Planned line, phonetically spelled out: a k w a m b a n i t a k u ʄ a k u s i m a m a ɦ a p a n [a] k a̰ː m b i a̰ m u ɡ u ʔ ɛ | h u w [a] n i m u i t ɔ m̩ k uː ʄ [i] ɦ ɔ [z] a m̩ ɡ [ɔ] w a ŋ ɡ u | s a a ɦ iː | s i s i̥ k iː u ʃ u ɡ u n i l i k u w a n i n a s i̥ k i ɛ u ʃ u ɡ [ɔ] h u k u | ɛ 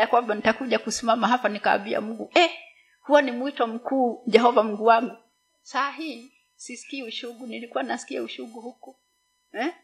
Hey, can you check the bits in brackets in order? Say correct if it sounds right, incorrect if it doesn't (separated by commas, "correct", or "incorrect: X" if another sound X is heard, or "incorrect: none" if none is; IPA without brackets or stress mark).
incorrect: i, correct, incorrect: ɛ, incorrect: v, incorrect: u, incorrect: u